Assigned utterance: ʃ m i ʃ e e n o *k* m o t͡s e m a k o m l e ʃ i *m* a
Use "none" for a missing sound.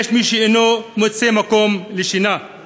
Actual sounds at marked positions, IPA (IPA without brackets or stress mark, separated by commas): none, n